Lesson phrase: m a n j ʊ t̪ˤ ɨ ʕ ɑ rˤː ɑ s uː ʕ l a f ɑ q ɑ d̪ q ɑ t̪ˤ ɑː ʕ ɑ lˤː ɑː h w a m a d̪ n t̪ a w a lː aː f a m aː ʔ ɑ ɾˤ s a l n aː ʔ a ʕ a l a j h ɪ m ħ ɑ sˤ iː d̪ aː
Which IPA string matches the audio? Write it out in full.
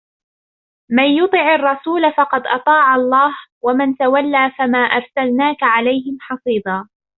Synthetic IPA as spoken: m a n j ʊ t̪ˤ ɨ ʕ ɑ rˤː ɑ s uː l a f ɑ q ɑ d̪ ʔ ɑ t̪ˤ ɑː ʕ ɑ lˤː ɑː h w a m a n t̪ a w a lː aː f a m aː ʔ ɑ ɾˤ s a l n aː k a ʕ a l a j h ɪ m ħ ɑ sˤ iː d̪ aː

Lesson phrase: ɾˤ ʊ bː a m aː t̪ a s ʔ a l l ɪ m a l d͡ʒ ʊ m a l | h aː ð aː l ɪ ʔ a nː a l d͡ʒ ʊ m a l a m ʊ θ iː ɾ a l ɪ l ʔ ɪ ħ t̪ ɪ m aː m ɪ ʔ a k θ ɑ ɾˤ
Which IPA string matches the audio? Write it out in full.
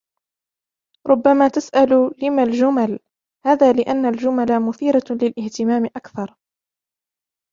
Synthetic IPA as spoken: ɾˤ ʊ bː a m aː t̪ a s ʔ a l l ɪ m a l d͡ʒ ʊ m a l | h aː ð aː l ɪ ʔ a nː a l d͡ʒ ʊ m a l a m ʊ θ iː ɾ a l ɪ l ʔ ɪ h t̪ ɪ m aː m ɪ ʔ a k θ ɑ ɾˤ

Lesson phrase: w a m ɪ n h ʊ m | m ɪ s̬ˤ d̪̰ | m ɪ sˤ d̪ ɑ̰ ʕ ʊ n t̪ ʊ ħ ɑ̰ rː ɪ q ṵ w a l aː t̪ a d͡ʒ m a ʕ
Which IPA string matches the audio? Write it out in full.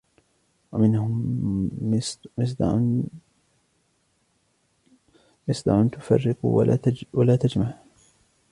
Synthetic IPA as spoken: w a m ɪ n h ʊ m | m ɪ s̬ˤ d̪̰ | m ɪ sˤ d̪ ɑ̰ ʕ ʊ n t̪ ʊ f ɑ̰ rː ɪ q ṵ w a l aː t̪ a d͡ʒ m a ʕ

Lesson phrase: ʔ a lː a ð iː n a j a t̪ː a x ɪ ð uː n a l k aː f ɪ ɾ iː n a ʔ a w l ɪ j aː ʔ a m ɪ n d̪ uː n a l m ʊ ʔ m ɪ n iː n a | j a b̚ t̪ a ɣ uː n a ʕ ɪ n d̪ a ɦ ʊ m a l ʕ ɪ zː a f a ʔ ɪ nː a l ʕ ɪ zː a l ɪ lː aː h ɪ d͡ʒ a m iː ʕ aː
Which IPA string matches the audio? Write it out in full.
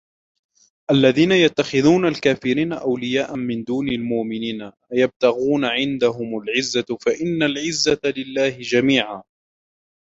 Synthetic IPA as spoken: ʔ a lː a ð iː n a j a t̪ː a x ɪ ð uː n a l k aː f ɪ ɾ iː n a ʔ a w l ɪ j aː ʔ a m ɪ n d̪ uː n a l m ʊ ʔ m ɪ n iː n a | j a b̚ t̪ a ɣ uː n a ʕ ɪ n d̪ a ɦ ʊ m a l ʕ ɪ zː a f a ʔ ɪ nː a l ʕ ɪ zː a l ɪ lː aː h ɪ d͡ʒ a m iː ʕ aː

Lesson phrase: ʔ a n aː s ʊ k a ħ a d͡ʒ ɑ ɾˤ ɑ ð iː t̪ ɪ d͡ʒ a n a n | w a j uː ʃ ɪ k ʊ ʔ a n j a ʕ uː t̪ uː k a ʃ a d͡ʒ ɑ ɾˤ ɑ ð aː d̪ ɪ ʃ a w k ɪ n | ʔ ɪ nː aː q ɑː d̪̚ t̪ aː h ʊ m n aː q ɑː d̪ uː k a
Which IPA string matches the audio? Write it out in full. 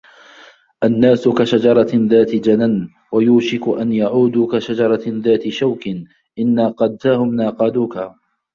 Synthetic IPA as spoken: ʔ a nː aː s ʊ k a ʃ a d͡ʒ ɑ ɾˤ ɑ ð aː t̪ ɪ d͡ʒ a n a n | w a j uː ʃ ɪ k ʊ ʔ a n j a ʕ uː d̪ uː k a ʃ a d͡ʒ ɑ ɾˤ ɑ ð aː t̪ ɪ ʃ a w k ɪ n | ʔ ɪ nː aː q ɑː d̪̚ t̪ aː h ʊ m n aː q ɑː d̪ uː k a

